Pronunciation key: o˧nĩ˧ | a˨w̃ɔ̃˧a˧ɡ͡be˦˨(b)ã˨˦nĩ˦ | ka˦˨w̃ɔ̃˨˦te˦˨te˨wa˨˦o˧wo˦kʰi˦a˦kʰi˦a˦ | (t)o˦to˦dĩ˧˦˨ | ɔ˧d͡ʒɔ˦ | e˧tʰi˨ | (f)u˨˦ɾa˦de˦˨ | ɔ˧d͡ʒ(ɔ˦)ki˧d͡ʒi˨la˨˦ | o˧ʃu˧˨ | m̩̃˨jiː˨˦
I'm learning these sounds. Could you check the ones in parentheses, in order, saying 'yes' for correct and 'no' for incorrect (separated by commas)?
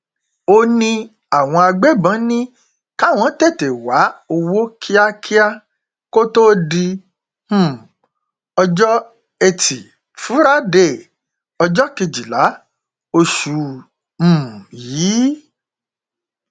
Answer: yes, no, yes, yes